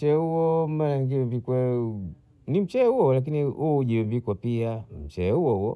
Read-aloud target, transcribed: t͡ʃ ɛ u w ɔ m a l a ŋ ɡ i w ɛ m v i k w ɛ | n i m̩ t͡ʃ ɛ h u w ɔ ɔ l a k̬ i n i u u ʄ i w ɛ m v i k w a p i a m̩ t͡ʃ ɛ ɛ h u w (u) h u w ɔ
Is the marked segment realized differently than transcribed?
yes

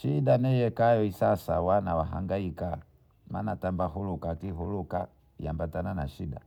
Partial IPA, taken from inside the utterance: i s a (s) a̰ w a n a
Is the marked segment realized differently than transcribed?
no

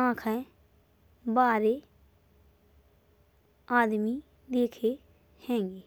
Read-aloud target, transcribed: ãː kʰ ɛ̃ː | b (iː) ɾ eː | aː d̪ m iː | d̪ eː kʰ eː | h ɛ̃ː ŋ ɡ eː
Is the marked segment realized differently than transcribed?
yes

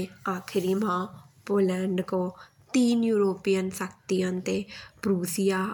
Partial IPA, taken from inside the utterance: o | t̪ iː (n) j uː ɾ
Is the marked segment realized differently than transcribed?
no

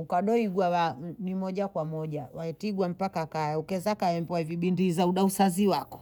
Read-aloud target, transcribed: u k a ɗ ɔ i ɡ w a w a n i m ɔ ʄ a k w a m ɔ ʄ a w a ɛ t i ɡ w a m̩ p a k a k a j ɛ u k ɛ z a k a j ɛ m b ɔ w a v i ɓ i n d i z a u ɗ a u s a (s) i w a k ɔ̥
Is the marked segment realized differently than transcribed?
yes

